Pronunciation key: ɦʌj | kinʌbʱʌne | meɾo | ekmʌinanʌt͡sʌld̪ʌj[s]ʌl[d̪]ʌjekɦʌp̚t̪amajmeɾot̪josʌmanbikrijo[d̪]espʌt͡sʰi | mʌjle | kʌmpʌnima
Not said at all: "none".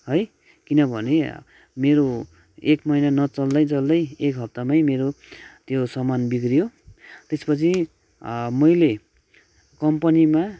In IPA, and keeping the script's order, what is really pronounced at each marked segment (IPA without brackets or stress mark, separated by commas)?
t͡s, d̪, t̪